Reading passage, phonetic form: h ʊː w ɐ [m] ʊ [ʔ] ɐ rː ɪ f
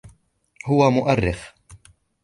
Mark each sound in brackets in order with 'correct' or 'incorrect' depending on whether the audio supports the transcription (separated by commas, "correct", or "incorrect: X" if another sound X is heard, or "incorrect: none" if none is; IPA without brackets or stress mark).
correct, correct